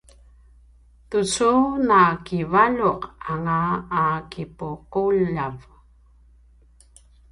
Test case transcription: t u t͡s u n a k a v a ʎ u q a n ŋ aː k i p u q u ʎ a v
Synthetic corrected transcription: t u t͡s u n a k i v a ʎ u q a ŋ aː k i p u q u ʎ a v